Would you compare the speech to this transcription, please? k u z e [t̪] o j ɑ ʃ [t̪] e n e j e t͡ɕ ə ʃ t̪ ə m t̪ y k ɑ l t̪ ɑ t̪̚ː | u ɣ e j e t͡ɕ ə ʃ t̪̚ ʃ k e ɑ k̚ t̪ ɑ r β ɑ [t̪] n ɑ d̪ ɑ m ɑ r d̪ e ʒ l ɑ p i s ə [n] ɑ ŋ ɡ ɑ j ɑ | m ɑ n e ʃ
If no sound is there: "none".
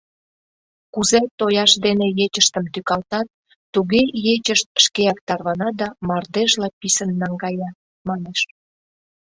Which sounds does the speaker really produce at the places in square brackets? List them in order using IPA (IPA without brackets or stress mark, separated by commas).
t̪, d̪, none, nː